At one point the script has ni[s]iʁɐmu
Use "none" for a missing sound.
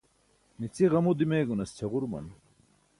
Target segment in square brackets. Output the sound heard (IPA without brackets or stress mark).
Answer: t͡s